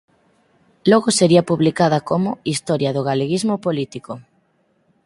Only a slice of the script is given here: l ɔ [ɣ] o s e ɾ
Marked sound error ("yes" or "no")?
no